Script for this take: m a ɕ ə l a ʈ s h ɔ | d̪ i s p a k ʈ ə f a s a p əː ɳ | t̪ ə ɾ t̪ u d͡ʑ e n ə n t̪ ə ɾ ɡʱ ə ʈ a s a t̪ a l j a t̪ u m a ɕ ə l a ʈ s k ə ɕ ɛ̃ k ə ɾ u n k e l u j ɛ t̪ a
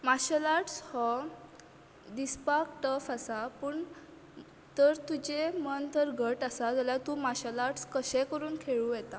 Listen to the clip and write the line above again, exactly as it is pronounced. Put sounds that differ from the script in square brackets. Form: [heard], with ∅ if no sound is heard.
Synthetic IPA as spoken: m a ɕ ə l a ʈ s h ɔ | d̪ i s p a k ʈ ə f a s a p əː ɳ | t̪ ə ɾ t̪ u d͡ʑ e [m] ə n t̪ ə ɾ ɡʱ ə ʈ a s a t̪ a l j a t̪ u m a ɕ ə l a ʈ s k ə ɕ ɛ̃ k ə ɾ [uː] n [kʰ] e [ɭ] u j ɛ t̪ a